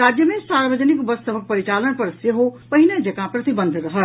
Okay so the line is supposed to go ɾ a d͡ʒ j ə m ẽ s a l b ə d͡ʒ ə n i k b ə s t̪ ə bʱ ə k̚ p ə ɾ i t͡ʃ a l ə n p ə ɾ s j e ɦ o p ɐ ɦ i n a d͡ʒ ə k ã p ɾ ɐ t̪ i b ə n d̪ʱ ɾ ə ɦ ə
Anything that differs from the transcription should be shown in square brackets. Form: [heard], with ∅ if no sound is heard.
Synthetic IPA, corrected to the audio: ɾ a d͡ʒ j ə m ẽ s a [ɾ] b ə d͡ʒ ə n i k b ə s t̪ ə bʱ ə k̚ p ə ɾ i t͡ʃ a l ə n p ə ɾ s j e ɦ o p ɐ ɦ i n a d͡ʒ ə k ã p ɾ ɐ t̪ i b ə n d̪ʱ ɾ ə ɦ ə